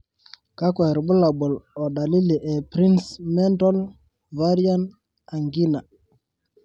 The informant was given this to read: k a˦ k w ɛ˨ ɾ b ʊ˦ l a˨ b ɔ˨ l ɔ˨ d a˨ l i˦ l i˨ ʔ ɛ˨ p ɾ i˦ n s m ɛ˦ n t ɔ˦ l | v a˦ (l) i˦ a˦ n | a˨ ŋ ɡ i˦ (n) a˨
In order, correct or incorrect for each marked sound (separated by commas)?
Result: incorrect, correct